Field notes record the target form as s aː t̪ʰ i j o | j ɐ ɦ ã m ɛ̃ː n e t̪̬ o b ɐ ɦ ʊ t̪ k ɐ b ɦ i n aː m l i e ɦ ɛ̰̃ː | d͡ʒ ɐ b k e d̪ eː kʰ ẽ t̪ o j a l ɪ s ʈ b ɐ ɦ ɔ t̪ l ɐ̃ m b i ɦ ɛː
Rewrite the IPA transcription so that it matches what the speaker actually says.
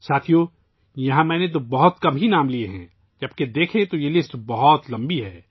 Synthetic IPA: s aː t̪ʰ i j o | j ɐ ɦ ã m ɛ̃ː n e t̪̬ o b ɐ ɦ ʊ t̪ k ɐ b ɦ i n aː m l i e ɦ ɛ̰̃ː | d͡ʒ ɐ b k e d̪ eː kʰ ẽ t̪ o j e l ɪ s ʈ b ɐ ɦ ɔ t̪ l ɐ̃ m b i ɦ ɛː